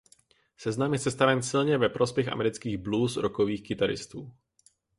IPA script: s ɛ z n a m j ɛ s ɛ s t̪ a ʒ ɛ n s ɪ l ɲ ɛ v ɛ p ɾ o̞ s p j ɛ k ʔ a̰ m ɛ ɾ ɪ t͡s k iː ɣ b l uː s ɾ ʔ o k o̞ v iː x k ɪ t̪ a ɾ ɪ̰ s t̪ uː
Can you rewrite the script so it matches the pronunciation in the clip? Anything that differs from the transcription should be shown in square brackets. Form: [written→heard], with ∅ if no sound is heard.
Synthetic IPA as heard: s ɛ z n a m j ɛ s ɛ s t̪ a [ʒ→v] ɛ n s ɪ l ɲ ɛ v ɛ p ɾ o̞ s p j ɛ [k→x] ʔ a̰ m ɛ ɾ ɪ t͡s k iː ɣ b l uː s ɾ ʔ o k o̞ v iː x k ɪ t̪ a ɾ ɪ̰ s t̪ uː